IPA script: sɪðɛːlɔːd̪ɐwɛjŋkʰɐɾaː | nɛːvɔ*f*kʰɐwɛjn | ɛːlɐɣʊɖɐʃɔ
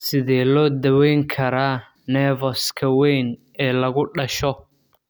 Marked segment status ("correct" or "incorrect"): incorrect